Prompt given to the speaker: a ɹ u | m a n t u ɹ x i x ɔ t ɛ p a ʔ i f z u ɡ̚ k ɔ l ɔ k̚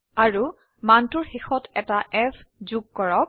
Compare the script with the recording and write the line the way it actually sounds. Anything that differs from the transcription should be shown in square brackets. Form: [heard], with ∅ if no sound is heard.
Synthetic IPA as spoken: a ɹ u | m a n t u ɹ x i x ɔ t ɛ [t] a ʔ [ɛ] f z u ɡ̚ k ɔ [ɹ] ɔ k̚

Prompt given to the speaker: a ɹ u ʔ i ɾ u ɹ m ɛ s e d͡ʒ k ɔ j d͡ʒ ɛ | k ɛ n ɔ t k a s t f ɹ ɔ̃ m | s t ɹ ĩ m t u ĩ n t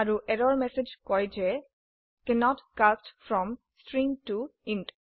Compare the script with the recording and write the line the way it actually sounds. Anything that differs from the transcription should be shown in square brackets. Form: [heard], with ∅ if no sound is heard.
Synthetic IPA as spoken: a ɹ u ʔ [ɛ] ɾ [ɔ] ɹ m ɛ s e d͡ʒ k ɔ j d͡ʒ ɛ | k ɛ n ɔ t k a s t f ɹ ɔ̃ m | s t ɹ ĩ [ŋ] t u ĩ n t

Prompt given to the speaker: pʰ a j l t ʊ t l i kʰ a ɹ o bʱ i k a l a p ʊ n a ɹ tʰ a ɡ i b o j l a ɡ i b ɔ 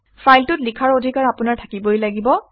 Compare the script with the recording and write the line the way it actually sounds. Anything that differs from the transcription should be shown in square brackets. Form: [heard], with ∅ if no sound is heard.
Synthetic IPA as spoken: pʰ a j l t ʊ t l i kʰ a ɹ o [dʱ] i k a [ɹ] a p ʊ n a ɹ tʰ a [k] i b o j l a ɡ i b ɔ

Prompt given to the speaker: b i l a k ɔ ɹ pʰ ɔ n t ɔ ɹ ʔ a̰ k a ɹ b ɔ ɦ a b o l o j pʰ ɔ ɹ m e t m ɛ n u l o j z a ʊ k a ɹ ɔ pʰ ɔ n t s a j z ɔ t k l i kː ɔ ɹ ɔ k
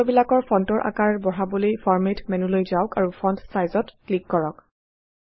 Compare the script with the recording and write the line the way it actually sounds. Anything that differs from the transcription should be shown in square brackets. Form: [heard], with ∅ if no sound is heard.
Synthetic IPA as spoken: b i l a k ɔ ɹ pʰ ɔ n t ɔ ɹ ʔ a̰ k a ɹ b ɔ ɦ a b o l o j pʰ ɔ ɹ m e t m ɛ n u l o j z a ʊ k a ɹ [u] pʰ ɔ n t s a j z ɔ t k l i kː ɔ ɹ ɔ k

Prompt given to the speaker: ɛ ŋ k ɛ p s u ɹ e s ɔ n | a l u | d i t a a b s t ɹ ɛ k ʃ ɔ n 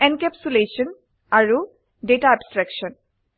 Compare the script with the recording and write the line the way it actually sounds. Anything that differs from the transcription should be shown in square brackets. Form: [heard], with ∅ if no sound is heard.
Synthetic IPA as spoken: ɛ [n] k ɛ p s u [l] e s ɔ n | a [ɹ] u | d [e] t a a b s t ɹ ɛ k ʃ ɔ n

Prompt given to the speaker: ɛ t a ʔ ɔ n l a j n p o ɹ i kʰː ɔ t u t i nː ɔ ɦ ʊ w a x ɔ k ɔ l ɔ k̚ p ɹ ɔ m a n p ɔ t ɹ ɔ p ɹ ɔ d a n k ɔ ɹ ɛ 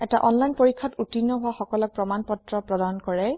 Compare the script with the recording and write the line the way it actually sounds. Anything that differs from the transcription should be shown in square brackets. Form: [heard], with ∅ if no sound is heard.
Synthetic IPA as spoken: ɛ t a ʔ ɔ n l a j n p o ɹ i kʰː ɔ t u t i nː ɔ ɦ ʊ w a x ɔ k ɔ l ɔ k̚ p ɹ ɔ m a n p ɔ t ɹ ɔ p ɹ ɔ d a n k ɔ ɹ ɛ

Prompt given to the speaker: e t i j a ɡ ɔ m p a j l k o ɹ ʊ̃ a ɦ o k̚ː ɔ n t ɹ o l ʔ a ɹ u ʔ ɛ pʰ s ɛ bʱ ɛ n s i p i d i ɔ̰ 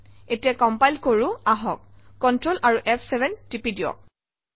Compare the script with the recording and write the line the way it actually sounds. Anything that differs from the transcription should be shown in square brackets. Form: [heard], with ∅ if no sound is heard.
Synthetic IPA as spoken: e t i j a [k] ɔ m p a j l k o ɹ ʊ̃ a ɦ [ɔ] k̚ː ɔ n t ɹ o l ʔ a ɹ u ʔ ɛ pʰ s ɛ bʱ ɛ n [t] i p i d i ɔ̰

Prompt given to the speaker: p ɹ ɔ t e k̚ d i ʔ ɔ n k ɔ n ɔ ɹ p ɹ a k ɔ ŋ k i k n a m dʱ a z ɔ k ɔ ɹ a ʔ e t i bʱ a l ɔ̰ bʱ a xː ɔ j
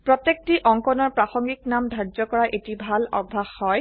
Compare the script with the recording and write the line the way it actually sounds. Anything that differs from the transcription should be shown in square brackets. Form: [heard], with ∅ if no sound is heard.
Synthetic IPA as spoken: p ɹ ɔ t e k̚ [t] i ʔ ɔ [ŋ] k ɔ n ɔ ɹ p ɹ a [x] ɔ ŋ [ɡ] i k n a m dʱ a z ɔ k ɔ ɹ a ʔ e t i bʱ a l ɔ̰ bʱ a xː ɔ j

